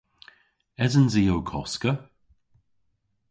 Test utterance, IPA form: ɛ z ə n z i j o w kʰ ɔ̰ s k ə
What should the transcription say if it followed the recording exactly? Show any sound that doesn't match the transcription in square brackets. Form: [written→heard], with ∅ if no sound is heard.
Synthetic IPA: ɛ z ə n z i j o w kʰ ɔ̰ s k ə